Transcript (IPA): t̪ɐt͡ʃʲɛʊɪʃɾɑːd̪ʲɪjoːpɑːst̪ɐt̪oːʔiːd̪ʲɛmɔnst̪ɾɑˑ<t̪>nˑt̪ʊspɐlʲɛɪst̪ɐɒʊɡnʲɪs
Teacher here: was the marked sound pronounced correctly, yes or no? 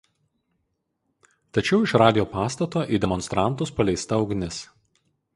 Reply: no